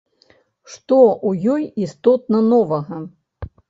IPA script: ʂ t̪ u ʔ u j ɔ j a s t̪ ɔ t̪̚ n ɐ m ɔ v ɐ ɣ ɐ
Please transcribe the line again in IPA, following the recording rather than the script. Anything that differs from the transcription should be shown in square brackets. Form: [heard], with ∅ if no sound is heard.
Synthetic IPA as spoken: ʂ t̪ [ɔ] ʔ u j ɔ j [i] s t̪ ɔ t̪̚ n ɐ [n] ɔ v ɐ ɣ ɐ